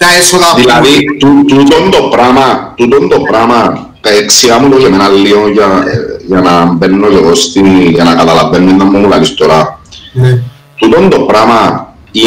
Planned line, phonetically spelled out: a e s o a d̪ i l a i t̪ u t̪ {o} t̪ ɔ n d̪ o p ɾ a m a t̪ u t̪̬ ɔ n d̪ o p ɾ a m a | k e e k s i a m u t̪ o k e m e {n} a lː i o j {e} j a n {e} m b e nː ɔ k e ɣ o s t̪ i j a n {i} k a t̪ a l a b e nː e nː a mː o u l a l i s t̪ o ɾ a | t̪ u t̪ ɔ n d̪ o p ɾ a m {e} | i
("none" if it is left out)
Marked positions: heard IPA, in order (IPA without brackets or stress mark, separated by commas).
u, n, a, a, a, a